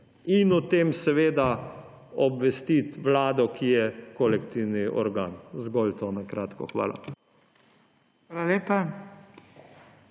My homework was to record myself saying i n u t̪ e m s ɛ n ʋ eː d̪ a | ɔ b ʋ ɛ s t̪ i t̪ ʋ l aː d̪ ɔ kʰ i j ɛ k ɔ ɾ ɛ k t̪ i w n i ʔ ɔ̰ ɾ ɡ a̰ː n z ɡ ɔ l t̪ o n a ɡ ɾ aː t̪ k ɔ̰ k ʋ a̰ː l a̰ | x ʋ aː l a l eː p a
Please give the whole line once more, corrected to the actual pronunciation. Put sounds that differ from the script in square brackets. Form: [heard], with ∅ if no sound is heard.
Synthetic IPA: i n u t̪ e m s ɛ [∅] ʋ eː d̪ a | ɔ b ʋ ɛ s t̪ i t̪ ʋ l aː d̪ ɔ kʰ i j ɛ k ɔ [l] ɛ k t̪ i w n i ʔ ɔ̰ ɾ ɡ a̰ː n z ɡ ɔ l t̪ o n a [k] ɾ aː t̪ k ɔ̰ [x] ʋ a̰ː l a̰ | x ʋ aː l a l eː p a

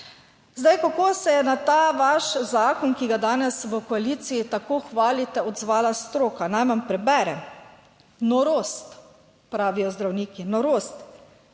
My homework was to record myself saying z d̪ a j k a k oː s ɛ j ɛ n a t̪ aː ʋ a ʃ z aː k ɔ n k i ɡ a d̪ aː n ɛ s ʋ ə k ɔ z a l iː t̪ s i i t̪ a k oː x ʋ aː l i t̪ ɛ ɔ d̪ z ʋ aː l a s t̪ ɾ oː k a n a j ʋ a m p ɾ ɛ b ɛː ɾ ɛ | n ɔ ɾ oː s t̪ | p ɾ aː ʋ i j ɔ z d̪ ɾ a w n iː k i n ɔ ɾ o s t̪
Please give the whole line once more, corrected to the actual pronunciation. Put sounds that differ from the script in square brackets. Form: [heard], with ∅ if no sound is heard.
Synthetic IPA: z d̪ a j k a k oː s ɛ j ɛ n a t̪ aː ʋ a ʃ z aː k ɔ n k i ɡ a d̪ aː n ɛ s ʋ ə k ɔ [∅] a l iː t̪ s i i t̪ a k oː x ʋ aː l i t̪ ɛ ɔ d̪ z ʋ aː l a s t̪ ɾ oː k a n a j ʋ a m p ɾ ɛ b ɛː ɾ ɛ | n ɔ ɾ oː s t̪ | p ɾ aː ʋ i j ɔ z d̪ ɾ a w n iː k i n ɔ ɾ o s t̪

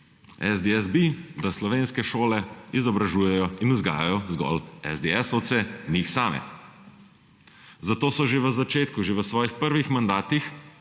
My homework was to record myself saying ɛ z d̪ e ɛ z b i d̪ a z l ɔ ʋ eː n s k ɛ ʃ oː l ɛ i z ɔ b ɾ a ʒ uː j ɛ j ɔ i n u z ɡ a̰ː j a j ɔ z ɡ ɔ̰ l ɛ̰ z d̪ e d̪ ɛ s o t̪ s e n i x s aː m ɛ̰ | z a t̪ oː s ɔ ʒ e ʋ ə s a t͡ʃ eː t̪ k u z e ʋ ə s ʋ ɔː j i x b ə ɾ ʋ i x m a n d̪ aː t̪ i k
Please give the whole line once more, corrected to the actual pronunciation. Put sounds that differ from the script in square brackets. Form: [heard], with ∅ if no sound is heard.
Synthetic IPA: ɛ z d̪ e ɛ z b i d̪ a [s] l ɔ ʋ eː n s k ɛ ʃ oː l ɛ i z ɔ b ɾ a ʒ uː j ɛ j ɔ i n u z ɡ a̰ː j a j ɔ z ɡ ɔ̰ l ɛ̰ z d̪ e [∅] ɛ s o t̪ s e n i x s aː m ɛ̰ | z a t̪ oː s ɔ ʒ e ʋ ə [z] a t͡ʃ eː t̪ k u [ʒ] e ʋ ə s ʋ ɔː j i x [p] ə ɾ ʋ i x m a n d̪ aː t̪ i [x]

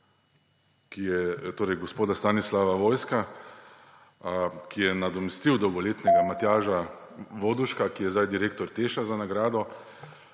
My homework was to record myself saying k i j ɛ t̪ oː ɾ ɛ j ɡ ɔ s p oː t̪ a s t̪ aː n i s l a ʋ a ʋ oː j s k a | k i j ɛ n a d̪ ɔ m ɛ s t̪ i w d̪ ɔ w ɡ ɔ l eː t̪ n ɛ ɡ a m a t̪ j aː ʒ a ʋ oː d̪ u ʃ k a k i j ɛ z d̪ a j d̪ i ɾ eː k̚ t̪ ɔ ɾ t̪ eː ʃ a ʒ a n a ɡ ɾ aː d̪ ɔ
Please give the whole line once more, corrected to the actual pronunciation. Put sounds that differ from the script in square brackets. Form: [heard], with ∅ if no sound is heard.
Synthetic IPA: k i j ɛ t̪ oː ɾ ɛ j ɡ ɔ s p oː [d̪] a s t̪ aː n i s l a ʋ a ʋ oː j s k a | k i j ɛ n a d̪ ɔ m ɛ s t̪ i w d̪ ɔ w ɡ ɔ l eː t̪ n ɛ ɡ a m a t̪ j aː ʒ a ʋ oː d̪ u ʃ k a k i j ɛ z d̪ a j d̪ i ɾ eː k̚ t̪ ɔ ɾ t̪ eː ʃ a [z] a n a ɡ ɾ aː d̪ ɔ

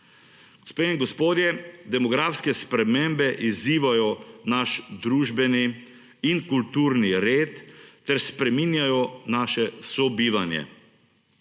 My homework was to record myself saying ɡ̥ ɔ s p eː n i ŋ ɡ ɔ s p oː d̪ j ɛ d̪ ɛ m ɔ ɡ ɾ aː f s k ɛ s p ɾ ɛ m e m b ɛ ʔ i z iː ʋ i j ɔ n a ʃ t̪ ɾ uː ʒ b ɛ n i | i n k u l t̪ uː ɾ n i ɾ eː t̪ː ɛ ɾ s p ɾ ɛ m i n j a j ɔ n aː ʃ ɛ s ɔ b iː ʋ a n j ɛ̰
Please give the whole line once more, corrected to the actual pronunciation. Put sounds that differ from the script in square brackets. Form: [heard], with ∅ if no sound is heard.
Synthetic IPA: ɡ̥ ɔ s p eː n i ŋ ɡ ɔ s p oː d̪ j ɛ d̪ ɛ m ɔ ɡ ɾ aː f s k ɛ s p ɾ ɛ m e m b ɛ ʔ i z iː ʋ [a] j ɔ n a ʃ [d̪] ɾ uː ʒ b ɛ n i | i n k u l t̪ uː ɾ n i ɾ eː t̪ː ɛ ɾ s p ɾ ɛ m i n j a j ɔ n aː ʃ ɛ s ɔ b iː ʋ a n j ɛ̰

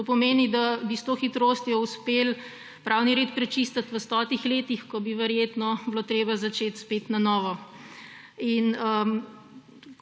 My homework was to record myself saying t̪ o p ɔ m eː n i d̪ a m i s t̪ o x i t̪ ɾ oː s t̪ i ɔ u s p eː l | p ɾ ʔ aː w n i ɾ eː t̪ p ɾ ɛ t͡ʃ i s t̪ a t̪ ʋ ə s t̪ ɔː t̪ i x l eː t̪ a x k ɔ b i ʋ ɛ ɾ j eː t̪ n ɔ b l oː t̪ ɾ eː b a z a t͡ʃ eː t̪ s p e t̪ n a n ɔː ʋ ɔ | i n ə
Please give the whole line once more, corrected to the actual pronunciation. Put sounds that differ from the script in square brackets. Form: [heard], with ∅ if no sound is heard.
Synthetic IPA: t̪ o p ɔ m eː n i d̪ a [b] i s t̪ o x i t̪ ɾ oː s t̪ [j] ɔ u s p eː l | p ɾ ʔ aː w n i ɾ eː t̪ p ɾ ɛ t͡ʃ i s t̪ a t̪ ʋ ə s t̪ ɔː t̪ i x l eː t̪ [i] x k ɔ b i ʋ ɛ ɾ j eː t̪ n ɔ b l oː t̪ ɾ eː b a z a t͡ʃ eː t̪ s p e t̪ n a n ɔː ʋ ɔ | i n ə

